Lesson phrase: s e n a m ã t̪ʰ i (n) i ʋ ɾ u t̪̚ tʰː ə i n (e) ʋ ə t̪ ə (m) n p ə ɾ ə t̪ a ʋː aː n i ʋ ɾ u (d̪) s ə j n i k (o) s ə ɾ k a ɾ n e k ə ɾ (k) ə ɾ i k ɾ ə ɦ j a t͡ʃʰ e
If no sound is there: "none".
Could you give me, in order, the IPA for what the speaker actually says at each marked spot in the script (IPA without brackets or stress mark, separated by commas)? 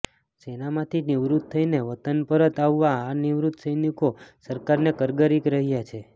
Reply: n, e, none, t̪, o, ɡ